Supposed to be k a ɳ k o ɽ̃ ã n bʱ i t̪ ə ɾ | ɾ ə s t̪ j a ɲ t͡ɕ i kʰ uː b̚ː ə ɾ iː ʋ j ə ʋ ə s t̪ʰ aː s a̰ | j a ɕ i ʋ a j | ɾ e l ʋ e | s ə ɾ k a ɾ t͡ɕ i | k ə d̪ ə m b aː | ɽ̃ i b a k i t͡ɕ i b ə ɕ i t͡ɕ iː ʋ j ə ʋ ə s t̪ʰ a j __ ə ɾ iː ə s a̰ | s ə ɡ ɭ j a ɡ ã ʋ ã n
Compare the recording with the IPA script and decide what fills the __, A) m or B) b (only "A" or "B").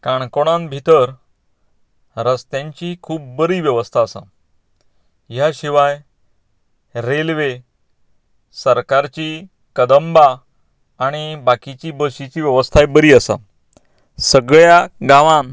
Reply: B